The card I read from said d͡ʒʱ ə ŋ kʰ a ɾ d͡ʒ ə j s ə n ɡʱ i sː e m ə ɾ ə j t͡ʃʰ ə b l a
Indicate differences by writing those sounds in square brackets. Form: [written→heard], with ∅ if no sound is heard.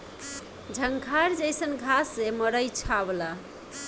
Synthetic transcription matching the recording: d͡ʒʱ ə ŋ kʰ a ɾ d͡ʒ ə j s ə n ɡʱ [i→a] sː e m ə ɾ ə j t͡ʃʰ [ə→a] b l a